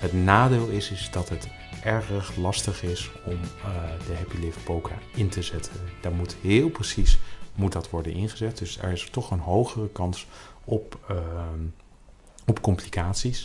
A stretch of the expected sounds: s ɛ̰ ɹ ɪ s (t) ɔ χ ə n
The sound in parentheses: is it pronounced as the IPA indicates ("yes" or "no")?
yes